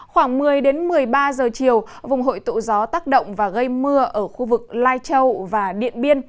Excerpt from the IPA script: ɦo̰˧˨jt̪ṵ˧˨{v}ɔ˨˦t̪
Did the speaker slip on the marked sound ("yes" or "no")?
yes